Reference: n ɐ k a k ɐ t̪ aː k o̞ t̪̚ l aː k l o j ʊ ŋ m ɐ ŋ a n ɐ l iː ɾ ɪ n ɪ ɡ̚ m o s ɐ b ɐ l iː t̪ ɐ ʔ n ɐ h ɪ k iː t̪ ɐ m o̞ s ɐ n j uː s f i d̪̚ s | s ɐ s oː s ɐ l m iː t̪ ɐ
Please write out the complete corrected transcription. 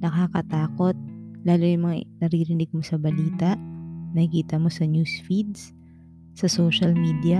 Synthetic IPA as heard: n ɐ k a k ɐ t̪ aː k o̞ t̪̚ l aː l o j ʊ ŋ m ɐ ŋ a n ɐ ɾ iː ɾ ɪ n ɪ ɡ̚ m o s ɐ b ɐ l iː t̪ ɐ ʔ n ɐ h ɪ k iː t̪ ɐ m o̞ s ɐ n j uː s f i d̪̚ s | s ɐ s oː ʃ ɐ l m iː d̪ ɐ